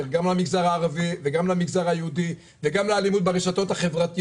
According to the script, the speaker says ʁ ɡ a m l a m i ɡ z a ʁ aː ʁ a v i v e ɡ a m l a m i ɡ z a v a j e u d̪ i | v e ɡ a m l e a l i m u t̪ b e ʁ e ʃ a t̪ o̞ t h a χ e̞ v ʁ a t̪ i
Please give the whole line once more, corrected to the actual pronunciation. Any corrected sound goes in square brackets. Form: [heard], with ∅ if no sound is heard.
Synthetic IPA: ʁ ɡ a m l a m i ɡ z a ʁ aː ʁ a v i v e ɡ a m l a m i ɡ z a [ʁ] a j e u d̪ i | v e ɡ a m l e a l i m u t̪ b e ʁ e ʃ a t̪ o̞ t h a χ e̞ v ʁ a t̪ i